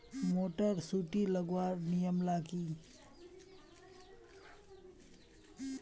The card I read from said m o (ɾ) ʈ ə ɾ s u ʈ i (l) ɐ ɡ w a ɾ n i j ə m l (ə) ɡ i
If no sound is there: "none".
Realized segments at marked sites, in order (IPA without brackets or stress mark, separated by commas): none, l, a